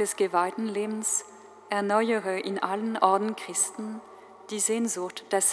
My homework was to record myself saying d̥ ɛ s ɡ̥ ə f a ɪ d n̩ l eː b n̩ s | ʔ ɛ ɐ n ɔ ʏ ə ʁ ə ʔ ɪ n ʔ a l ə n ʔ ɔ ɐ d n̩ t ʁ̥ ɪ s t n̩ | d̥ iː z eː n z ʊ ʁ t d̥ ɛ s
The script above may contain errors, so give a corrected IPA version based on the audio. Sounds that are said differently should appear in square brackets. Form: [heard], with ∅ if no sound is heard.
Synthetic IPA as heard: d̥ ɛ s ɡ̥ ə [v] a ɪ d n̩ l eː b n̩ s | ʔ ɛ ɐ n ɔ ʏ ə ʁ ə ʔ ɪ n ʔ a l ə n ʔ ɔ ɐ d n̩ [k] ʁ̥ ɪ s t n̩ | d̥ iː z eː n z ʊ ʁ t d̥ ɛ s